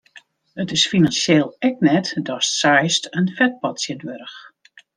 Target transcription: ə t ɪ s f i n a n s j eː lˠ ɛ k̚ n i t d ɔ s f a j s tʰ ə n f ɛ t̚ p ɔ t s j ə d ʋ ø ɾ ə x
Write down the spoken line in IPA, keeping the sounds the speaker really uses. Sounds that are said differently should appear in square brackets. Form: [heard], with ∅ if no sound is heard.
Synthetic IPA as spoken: ə t ɪ s f i n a n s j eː lˠ ɛ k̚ n [ɛ] t d ɔ s [s] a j s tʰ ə n f ɛ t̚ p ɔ t s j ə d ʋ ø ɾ ə x